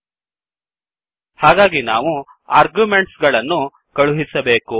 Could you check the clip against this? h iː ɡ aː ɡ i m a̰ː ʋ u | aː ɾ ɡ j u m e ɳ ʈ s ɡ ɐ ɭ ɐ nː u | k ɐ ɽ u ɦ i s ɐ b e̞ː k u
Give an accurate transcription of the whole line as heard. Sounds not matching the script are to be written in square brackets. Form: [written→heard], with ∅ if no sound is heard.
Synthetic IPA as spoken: h [iː→aː] ɡ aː ɡ i [m→n] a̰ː ʋ u | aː ɾ ɡ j u m e ɳ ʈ s ɡ ɐ ɭ ɐ nː u | k ɐ [ɽ→ɭ] u ɦ i s ɐ b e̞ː k u